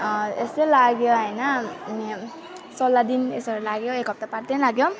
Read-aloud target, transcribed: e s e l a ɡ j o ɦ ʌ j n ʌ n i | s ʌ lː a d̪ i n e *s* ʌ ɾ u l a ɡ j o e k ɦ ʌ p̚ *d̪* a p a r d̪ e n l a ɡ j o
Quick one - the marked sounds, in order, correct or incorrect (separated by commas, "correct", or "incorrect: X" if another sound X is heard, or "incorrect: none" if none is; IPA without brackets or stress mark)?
correct, incorrect: t̪